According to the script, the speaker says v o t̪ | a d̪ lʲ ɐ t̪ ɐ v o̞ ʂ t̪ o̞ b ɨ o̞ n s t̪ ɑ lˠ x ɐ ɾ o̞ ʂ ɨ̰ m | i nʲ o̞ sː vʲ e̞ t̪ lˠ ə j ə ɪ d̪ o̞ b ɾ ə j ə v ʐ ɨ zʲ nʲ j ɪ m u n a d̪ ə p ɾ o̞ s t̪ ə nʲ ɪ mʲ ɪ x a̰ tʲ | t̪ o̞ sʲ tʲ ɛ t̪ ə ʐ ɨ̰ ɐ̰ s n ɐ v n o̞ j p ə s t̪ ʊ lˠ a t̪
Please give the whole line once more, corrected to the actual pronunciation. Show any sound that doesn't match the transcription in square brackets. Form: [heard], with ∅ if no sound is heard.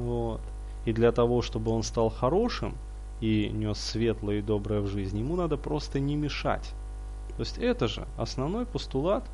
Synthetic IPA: v o t̪ | [i] d̪ lʲ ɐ t̪ ɐ v o̞ ʂ t̪ o̞ b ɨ o̞ n s t̪ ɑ lˠ x ɐ ɾ o̞ ʂ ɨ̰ m | i nʲ o̞ sː vʲ e̞ t̪ lˠ ə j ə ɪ d̪ o̞ b ɾ ə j ə v ʐ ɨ zʲ nʲ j ɪ m u n a d̪ ə p ɾ o̞ s t̪ ə nʲ ɪ mʲ ɪ [ʂ] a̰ tʲ | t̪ o̞ sʲ tʲ ɛ t̪ ə ʐ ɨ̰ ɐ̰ s n ɐ v n o̞ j p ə s t̪ ʊ lˠ a t̪